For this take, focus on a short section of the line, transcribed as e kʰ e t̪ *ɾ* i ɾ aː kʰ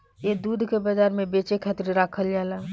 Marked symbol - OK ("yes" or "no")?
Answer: yes